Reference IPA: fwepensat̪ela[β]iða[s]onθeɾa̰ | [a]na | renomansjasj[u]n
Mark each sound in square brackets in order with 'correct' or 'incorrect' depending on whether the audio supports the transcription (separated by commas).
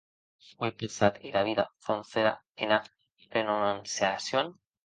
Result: correct, incorrect, incorrect, incorrect